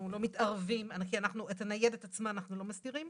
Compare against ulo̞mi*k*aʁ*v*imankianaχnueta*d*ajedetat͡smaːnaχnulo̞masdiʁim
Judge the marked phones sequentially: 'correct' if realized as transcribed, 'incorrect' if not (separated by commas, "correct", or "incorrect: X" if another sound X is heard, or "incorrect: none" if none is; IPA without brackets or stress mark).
incorrect: t, correct, incorrect: n